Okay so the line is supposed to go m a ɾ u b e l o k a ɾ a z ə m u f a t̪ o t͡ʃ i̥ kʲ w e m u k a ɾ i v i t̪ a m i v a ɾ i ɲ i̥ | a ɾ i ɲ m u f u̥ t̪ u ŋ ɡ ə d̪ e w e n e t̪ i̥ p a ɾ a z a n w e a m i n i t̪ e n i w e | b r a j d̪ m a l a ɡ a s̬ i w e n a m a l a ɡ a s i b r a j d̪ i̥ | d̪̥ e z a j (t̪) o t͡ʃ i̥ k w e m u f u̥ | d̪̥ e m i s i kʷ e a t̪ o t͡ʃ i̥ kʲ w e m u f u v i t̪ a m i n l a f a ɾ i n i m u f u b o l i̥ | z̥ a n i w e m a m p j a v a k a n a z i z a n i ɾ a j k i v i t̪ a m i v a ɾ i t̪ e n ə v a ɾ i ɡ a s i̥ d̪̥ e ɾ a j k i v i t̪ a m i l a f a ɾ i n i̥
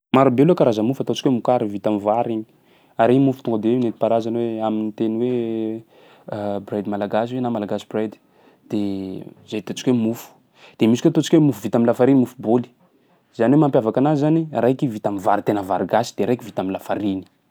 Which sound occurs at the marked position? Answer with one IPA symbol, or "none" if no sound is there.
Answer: t̪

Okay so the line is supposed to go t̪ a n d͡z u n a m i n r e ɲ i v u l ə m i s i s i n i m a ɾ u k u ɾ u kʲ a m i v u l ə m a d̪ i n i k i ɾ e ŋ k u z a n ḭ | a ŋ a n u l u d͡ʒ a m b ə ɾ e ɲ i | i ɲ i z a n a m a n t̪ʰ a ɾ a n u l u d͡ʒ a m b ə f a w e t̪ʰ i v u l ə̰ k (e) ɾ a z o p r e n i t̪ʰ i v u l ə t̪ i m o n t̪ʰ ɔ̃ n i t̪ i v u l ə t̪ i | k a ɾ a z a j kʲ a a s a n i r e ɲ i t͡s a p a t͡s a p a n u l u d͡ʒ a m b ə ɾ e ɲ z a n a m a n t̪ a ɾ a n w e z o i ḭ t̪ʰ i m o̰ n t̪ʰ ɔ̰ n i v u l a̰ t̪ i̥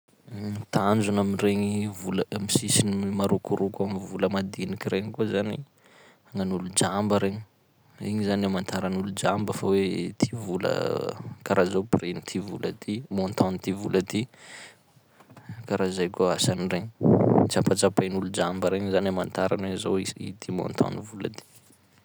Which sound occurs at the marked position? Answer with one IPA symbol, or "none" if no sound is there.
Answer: a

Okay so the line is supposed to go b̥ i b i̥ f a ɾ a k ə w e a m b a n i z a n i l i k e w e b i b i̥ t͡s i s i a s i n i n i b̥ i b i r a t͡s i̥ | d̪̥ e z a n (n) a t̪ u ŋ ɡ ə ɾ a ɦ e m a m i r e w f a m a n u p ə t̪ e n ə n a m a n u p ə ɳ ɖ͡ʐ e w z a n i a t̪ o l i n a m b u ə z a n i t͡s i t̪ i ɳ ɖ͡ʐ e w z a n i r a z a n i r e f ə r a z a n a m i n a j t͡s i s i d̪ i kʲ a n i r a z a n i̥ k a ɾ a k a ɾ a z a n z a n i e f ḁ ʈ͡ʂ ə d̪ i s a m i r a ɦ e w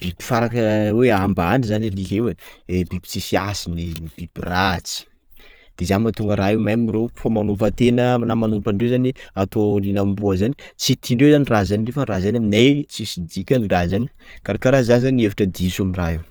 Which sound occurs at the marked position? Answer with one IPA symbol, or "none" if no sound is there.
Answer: m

